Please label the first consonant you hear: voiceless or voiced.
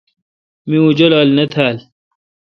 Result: voiced